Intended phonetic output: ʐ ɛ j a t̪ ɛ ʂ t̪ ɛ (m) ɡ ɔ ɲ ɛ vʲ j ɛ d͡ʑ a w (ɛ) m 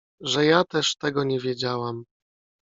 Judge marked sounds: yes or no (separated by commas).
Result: no, no